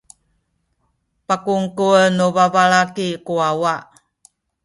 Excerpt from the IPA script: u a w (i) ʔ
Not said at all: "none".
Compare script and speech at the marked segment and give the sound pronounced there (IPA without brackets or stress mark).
a